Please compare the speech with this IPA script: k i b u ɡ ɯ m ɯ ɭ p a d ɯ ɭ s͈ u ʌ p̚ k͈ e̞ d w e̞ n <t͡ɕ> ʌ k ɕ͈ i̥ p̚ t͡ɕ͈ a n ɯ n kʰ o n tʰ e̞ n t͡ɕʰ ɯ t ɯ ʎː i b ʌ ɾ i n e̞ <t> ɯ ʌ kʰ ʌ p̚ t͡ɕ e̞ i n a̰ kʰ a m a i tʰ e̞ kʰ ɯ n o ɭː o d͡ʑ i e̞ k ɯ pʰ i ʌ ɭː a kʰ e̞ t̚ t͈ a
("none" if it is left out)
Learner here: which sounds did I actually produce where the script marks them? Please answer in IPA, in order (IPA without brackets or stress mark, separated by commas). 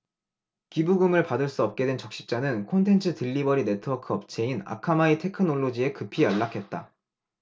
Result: t͡ɕ, tʰ